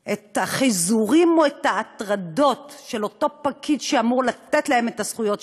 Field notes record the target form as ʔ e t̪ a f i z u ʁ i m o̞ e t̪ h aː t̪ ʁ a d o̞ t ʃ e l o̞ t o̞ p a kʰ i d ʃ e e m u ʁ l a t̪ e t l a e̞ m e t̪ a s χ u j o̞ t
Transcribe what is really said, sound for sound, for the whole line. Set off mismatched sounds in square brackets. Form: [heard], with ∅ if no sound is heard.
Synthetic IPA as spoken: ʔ e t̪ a [χ] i z u ʁ i m o̞ e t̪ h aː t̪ ʁ a d o̞ t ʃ e l o̞ t o̞ p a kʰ i d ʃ e [a] m u ʁ l a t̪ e t l a e̞ m e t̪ a s χ u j o̞ t